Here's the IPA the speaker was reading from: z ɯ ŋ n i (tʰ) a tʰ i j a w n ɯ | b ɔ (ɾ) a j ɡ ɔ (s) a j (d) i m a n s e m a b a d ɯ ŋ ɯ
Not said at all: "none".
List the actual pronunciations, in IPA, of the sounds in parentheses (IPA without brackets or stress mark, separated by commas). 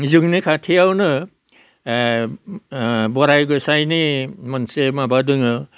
kʰ, ɾ, s, n